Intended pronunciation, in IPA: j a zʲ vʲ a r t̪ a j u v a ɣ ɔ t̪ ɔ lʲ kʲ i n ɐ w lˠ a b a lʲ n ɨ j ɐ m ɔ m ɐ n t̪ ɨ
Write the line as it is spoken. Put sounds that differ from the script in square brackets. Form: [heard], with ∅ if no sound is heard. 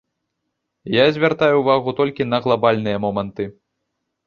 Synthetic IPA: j a zʲ vʲ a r t̪ a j u v a ɣ [u] t̪ ɔ lʲ kʲ i n ɐ [ɣ] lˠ a b a lʲ n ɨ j ɐ m ɔ m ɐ n t̪ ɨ